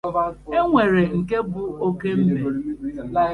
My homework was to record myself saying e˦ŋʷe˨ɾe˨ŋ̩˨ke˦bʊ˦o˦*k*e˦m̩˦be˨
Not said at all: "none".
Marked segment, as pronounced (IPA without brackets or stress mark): k